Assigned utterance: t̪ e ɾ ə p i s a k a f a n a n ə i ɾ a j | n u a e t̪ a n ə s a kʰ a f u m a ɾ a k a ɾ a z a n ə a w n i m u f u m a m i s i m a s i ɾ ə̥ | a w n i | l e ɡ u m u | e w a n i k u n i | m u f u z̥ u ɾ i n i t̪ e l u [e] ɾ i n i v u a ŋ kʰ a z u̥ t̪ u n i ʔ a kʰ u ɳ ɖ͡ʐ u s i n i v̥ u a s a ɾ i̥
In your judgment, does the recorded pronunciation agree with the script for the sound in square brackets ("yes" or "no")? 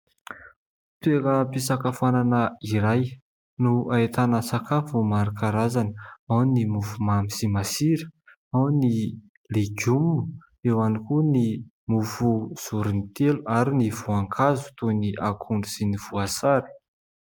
no